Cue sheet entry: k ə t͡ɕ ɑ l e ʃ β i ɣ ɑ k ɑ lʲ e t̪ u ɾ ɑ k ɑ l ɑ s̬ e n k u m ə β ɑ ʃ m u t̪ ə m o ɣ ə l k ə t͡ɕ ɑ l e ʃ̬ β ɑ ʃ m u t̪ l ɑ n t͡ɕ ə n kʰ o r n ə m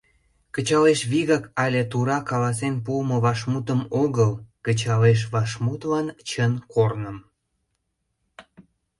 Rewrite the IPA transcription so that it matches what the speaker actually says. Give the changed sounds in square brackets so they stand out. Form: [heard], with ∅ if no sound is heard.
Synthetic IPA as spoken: k ə t͡ɕ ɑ l e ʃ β i ɣ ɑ k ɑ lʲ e t̪ u ɾ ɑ k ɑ l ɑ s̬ e n [p] u m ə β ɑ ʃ m u t̪ ə m o ɣ ə l k ə t͡ɕ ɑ l e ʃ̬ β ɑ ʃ m u t̪ l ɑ n t͡ɕ ə n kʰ o r n ə m